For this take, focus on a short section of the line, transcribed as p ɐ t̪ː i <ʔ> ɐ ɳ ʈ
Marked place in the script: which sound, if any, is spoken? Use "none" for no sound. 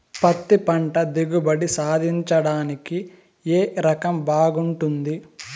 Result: p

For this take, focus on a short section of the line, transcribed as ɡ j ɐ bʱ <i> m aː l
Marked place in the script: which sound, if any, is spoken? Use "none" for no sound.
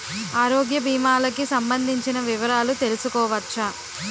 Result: iː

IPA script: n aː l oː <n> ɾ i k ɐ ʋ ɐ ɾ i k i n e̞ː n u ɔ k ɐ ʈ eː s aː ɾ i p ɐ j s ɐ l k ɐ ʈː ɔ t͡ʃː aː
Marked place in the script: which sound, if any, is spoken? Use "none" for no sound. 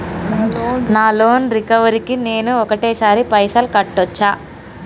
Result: n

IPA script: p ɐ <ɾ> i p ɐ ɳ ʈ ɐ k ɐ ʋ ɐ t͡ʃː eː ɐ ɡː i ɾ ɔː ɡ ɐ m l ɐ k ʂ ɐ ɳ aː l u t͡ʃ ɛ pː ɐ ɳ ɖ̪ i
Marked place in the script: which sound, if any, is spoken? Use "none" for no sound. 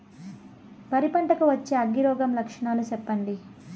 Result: ɾ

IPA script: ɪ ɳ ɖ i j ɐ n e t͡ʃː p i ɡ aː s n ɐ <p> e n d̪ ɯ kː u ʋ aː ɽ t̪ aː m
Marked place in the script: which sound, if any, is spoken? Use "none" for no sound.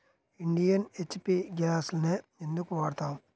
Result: none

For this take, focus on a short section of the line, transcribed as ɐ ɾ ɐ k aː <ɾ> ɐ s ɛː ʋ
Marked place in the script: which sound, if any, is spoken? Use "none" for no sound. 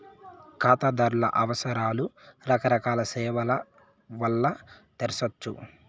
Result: l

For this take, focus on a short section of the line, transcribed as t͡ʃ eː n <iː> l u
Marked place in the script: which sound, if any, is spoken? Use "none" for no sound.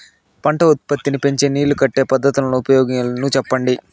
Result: iː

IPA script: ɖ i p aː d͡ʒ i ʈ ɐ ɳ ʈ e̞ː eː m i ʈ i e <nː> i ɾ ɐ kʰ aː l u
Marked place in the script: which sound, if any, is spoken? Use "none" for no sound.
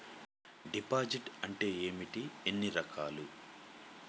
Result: nː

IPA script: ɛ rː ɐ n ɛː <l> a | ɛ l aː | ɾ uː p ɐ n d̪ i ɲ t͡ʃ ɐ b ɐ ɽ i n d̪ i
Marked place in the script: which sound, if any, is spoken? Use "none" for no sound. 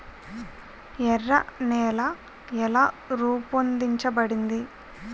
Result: l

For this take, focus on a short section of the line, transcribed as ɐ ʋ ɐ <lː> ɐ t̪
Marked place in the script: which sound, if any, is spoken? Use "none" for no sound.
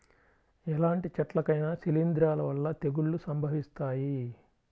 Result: lː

